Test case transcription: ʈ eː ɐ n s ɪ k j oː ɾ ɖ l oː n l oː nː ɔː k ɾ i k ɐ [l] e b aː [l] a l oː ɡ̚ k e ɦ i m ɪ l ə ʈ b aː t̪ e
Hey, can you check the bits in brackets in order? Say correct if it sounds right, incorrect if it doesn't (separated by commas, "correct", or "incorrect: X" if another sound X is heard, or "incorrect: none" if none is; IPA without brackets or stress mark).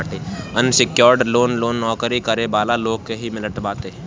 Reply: incorrect: ɾ, correct